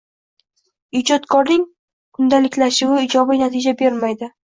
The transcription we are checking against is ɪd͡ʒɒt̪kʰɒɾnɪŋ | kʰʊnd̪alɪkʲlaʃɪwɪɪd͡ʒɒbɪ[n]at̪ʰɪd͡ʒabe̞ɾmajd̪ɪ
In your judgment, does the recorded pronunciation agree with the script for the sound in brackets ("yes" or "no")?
yes